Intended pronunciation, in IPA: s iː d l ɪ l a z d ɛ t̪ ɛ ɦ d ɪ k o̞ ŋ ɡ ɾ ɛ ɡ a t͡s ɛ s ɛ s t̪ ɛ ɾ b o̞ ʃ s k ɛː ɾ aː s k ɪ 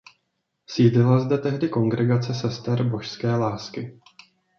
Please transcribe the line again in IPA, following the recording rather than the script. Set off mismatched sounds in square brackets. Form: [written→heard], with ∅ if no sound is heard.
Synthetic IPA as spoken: s iː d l ɪ l a z d ɛ t̪ ɛ ɦ d ɪ k o̞ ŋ ɡ ɾ ɛ ɡ a t͡s ɛ s ɛ s t̪ ɛ ɾ b o̞ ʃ s k ɛː [ɾ→l] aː s k ɪ

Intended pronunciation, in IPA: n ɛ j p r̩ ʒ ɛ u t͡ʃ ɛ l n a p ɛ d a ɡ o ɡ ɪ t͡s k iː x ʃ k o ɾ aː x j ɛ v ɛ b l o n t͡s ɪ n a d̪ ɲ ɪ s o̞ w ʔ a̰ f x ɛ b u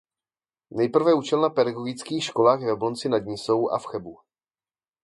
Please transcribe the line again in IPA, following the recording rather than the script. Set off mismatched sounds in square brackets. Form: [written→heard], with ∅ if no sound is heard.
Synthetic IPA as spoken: n ɛ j p r̩ [ʒ→v] ɛ u t͡ʃ ɛ l n a p ɛ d a ɡ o ɡ ɪ t͡s k iː x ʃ k o [ɾ→l] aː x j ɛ v ɛ b l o n t͡s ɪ n a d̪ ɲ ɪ s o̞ w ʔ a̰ f x ɛ b u

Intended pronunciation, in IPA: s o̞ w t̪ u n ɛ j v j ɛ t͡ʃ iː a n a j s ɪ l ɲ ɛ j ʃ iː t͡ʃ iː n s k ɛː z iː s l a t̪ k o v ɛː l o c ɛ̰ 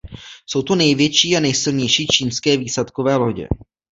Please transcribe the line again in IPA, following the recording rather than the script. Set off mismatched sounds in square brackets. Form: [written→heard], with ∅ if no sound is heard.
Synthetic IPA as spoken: s o̞ w t̪ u n ɛ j v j ɛ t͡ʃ iː a n [a→ɛ] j s ɪ l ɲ ɛ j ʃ iː t͡ʃ iː n s k ɛː [z→v] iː s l a t̪ k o v ɛː l o [c→ɟ] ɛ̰

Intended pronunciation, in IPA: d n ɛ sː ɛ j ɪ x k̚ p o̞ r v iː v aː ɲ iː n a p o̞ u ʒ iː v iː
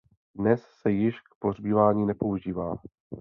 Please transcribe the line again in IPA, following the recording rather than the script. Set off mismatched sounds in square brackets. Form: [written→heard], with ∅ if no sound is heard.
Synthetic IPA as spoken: d n ɛ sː ɛ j ɪ [x→ʃ] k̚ p o̞ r [v→b] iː v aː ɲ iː n [a→ɛ] p o̞ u ʒ iː v [iː→aː]

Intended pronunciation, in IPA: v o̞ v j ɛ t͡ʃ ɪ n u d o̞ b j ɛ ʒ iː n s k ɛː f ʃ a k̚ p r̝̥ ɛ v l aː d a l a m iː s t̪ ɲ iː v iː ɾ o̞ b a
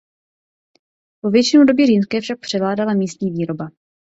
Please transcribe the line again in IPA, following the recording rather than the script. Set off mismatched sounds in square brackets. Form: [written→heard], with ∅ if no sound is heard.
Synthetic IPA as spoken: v o̞ v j ɛ t͡ʃ ɪ n u d o̞ b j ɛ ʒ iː n s k ɛː f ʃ a k̚ p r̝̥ ɛ v l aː d a l a m iː s t̪ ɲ iː v iː ɾ o̞ b a

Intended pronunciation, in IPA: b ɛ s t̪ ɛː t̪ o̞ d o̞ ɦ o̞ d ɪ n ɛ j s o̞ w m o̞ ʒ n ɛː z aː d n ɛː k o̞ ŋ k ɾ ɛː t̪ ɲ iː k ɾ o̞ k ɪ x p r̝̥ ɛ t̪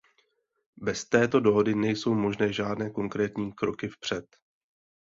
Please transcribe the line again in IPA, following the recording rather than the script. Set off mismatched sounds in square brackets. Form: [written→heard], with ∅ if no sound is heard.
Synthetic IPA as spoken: b ɛ s t̪ ɛː t̪ o̞ d o̞ ɦ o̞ d ɪ n ɛ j s o̞ w m o̞ ʒ n ɛː [z→ʒ] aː d n ɛː k o̞ ŋ k ɾ ɛː t̪ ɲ iː k ɾ o̞ k ɪ [x→f] p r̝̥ ɛ t̪

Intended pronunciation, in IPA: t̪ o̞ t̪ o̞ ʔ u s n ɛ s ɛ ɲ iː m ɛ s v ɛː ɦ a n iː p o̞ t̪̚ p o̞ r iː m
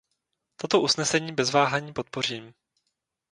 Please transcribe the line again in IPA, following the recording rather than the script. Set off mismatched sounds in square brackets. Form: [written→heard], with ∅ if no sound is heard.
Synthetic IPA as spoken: t̪ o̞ t̪ o̞ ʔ u s n ɛ s ɛ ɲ iː [m→b] ɛ [s→z] v [ɛː→aː] ɦ a [n→ɲ] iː p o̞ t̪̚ p o̞ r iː m

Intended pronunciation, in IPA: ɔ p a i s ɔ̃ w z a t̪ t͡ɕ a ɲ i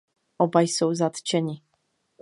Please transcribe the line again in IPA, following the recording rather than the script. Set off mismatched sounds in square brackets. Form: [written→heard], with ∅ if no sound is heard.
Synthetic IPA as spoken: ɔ [p→b] a [i→j] s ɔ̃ w z a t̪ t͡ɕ [a→ɛ] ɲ i

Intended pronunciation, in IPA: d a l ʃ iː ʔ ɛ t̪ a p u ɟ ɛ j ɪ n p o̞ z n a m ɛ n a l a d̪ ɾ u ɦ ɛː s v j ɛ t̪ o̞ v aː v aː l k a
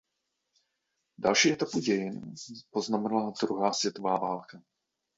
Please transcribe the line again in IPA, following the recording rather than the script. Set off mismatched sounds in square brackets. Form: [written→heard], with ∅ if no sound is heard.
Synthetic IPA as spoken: d a l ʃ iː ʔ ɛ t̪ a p u ɟ ɛ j ɪ n p o̞ z n a m ɛ n a l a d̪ ɾ u ɦ [ɛː→aː] s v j ɛ t̪ o̞ v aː v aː l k a

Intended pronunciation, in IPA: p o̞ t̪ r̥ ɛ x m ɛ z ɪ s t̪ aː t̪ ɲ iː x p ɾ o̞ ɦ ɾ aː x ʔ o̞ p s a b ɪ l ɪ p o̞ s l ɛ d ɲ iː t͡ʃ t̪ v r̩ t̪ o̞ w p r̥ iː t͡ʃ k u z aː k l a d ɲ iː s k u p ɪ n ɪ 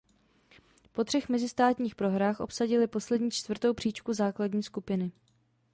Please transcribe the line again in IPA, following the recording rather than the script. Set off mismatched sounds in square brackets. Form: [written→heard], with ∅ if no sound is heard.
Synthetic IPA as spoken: p o̞ t̪ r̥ ɛ x m ɛ z ɪ s t̪ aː t̪ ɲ iː x p ɾ o̞ ɦ ɾ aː x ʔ o̞ p s a [b→ɟ] ɪ l ɪ p o̞ s l ɛ d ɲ iː t͡ʃ t̪ v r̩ t̪ o̞ w p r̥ iː t͡ʃ k u z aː k l a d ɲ iː s k u p ɪ n ɪ

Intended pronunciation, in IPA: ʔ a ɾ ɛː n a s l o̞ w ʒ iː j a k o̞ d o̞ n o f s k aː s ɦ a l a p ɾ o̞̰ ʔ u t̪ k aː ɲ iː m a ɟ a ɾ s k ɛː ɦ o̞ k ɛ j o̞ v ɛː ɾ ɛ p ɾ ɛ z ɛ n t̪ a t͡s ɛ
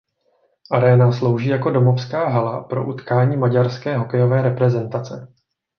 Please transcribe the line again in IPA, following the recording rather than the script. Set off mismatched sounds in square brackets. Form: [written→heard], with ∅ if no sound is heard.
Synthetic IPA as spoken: ʔ a ɾ ɛː n a s l o̞ w ʒ iː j a k o̞ d o̞ [n→m] o f s k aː [s→∅] ɦ a l a p ɾ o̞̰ ʔ u t̪ k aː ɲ iː m a ɟ a ɾ s k ɛː ɦ o̞ k ɛ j o̞ v ɛː ɾ ɛ p ɾ ɛ z ɛ n t̪ a t͡s ɛ

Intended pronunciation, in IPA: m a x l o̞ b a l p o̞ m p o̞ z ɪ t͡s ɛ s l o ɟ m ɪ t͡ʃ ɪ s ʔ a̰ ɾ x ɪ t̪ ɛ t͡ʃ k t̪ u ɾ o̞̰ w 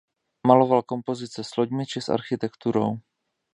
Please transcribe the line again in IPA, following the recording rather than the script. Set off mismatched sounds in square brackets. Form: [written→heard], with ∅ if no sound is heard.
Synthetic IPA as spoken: m a [x→∅] l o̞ [b→v] a l [p→k] o̞ m p o̞ z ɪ t͡s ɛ s l o ɟ m ɪ t͡ʃ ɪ s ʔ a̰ ɾ x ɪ t̪ ɛ [t͡ʃ→∅] k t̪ u ɾ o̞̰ w

